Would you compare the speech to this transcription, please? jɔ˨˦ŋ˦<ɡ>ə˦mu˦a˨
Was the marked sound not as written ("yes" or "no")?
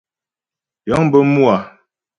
yes